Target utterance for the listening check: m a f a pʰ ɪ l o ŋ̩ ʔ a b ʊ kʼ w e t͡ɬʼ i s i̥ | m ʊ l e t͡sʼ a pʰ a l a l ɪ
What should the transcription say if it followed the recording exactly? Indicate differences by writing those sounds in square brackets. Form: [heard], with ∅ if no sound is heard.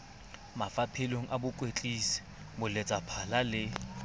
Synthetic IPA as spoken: m a f a pʰ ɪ l o ŋ̩ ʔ a b ʊ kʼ w e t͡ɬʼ i s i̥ | m ʊ l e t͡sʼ a pʰ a l a l ɪ